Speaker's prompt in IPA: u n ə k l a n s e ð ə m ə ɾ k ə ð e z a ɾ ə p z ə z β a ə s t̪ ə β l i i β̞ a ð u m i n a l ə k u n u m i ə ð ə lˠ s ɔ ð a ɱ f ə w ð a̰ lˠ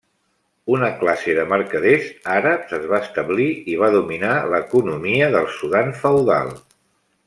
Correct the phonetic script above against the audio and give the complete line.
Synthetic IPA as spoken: u n ə k l a s e ð ə m ə ɾ k ə ð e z a ɾ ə p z ə z β a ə s t̪ ə β l i i β̞ a ð u m i n a l ə k u n u m i ə ð ə lˠ s u ð a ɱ f ə w ð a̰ lˠ

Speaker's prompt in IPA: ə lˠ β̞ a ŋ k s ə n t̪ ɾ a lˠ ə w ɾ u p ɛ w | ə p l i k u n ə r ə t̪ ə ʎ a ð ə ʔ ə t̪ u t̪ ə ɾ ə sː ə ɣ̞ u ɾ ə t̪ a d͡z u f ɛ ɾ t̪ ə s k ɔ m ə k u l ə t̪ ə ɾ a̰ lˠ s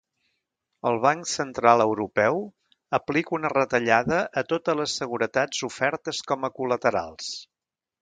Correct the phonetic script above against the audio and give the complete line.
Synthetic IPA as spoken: ə lˠ β̞ a ŋ k s ə n t̪ ɾ a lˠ ə w ɾ u p ɛ w | ə p l i k u n ə r ə t̪ ə ʎ a ð ə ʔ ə t̪ o t̪ ə l ə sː ə ɣ̞ u ɾ ə t̪ a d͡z u f ɛ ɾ t̪ ə s k ɔ m ə k u l ə t̪ ə ɾ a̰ lˠ s

